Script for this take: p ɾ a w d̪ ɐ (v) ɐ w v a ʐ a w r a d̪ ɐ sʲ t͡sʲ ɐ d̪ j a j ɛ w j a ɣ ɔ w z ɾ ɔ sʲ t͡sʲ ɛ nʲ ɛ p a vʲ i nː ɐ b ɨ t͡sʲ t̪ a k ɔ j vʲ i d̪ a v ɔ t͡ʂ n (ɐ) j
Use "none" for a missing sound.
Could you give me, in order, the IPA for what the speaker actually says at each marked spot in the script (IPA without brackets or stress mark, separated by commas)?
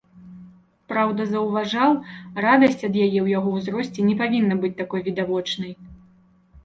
z, ɐ